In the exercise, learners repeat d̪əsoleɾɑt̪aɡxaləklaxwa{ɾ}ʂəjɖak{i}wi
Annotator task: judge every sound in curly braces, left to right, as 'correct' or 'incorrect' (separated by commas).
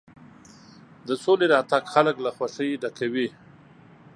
incorrect, incorrect